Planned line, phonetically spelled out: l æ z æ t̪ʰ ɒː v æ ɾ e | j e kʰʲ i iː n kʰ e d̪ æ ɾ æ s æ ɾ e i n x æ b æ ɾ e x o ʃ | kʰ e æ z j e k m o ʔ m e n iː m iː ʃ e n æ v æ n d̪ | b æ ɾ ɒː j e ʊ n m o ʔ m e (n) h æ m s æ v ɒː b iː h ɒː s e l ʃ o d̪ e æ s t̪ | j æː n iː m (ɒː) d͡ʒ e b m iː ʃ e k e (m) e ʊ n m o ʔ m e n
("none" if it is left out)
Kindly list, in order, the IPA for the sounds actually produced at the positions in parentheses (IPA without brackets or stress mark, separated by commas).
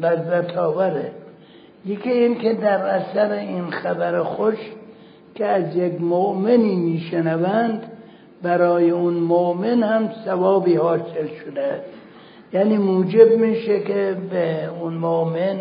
n, uː, b